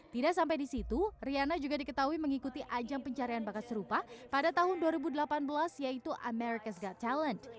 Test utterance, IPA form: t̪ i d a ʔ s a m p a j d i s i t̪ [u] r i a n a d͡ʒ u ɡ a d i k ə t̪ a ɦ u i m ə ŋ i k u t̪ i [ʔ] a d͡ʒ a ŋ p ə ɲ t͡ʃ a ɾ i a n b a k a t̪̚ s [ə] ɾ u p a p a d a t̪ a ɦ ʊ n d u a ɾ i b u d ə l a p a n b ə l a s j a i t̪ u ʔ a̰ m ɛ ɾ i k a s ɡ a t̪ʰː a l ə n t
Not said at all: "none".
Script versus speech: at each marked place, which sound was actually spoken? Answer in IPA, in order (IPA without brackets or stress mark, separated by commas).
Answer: u, ʔ, ə